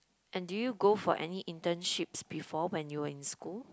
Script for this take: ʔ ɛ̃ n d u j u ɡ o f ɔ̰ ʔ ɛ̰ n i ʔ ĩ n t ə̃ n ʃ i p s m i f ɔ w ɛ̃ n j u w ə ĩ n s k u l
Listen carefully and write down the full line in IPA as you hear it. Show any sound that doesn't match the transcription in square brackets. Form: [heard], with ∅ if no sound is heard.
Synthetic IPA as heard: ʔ ɛ̃ n d u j u ɡ o f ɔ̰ ʔ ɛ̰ n i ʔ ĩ n t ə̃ n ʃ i p s [b] i f ɔ w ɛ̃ n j u w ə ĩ n s k u l